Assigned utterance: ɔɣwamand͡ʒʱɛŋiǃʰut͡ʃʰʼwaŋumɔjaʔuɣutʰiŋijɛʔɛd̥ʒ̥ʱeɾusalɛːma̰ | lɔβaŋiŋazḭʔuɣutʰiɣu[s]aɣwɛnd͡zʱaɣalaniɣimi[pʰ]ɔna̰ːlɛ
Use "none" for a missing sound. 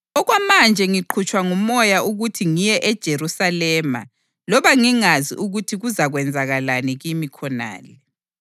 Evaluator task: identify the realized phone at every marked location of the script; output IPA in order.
z, kʰ

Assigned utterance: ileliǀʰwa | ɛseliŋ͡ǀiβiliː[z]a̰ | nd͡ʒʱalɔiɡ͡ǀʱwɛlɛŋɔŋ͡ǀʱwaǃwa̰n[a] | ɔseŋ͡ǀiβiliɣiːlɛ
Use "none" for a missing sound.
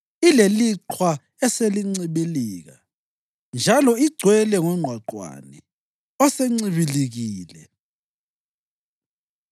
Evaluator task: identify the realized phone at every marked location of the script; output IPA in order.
ɣ, ɛ

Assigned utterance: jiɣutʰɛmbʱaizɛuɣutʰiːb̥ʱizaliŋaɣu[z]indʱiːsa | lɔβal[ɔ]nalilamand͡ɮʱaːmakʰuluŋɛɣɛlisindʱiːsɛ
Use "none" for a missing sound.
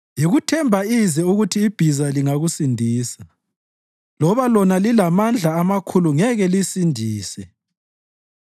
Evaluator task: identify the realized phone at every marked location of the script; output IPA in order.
s, ɔ

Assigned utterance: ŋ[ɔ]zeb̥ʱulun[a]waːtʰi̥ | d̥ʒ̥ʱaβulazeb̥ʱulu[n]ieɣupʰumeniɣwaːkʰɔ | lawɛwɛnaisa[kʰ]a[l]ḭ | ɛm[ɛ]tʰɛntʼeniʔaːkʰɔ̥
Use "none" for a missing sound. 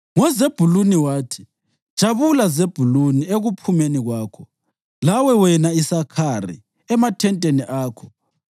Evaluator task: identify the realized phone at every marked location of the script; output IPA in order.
ɔ, i, n, kʰ, r, a

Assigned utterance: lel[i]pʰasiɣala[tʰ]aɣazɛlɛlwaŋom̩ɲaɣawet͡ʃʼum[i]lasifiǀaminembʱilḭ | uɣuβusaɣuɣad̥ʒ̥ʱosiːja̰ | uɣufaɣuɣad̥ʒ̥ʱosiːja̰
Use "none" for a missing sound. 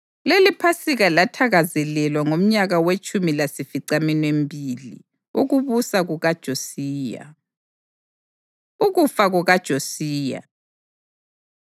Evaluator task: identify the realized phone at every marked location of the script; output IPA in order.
i, tʰ, i

